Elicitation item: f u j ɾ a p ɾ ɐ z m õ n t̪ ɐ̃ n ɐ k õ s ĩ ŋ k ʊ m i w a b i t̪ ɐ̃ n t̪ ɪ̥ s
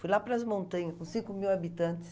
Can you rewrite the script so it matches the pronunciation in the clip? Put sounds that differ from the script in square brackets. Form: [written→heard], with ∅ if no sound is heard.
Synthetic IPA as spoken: f u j [ɾ→l] a p ɾ ɐ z m õ n t̪ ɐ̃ [n→ɲ] ɐ k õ s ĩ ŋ k ʊ m i w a b i t̪ ɐ̃ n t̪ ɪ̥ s